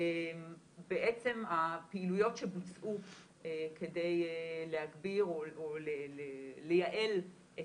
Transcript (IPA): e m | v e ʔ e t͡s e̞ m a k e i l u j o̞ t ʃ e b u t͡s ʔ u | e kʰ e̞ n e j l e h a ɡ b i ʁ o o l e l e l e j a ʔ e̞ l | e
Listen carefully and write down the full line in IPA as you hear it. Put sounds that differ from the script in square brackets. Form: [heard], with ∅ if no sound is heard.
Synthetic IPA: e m | [b] e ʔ e t͡s e̞ m a [p] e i l u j o̞ t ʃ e b u t͡s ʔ u | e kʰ e̞ [d] e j l e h a ɡ b i ʁ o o l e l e l e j a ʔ e̞ l | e